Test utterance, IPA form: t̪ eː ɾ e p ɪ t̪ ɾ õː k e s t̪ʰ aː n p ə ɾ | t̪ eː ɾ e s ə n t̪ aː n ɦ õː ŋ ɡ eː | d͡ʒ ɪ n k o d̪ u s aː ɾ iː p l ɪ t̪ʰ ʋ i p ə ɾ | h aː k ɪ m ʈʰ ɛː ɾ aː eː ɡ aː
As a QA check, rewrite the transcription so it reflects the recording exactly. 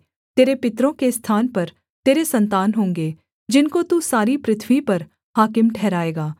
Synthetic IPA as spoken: t̪ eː ɾ e p ɪ t̪ ɾ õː k e s t̪ʰ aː n p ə ɾ | t̪ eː ɾ e s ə n t̪ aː n ɦ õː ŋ ɡ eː | d͡ʒ ɪ n k o t̪ u s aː ɾ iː p ɾ ɪ t̪ʰ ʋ i p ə ɾ | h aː k ɪ m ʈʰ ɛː ɾ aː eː ɡ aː